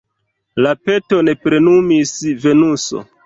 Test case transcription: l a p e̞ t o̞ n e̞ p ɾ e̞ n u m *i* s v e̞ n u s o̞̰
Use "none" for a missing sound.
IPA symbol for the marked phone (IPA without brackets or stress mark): i